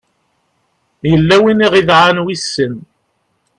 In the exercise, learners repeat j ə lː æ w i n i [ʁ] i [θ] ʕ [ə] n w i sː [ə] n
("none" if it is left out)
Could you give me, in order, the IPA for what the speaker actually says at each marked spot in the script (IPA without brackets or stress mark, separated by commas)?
ʁ, ð, a, ə